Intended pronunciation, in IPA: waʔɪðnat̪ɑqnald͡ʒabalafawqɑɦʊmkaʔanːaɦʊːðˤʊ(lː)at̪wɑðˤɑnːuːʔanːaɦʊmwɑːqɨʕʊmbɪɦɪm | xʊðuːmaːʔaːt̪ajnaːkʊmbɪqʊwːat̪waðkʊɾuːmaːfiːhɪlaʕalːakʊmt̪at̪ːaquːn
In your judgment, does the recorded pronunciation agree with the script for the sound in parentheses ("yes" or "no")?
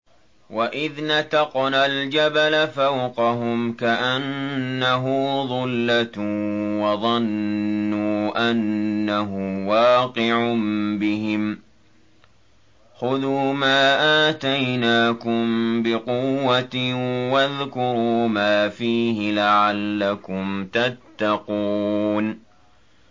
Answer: yes